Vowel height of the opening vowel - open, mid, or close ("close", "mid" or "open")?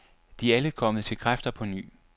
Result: close